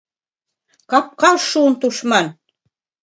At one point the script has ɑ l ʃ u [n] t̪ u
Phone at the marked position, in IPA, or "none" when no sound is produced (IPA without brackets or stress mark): n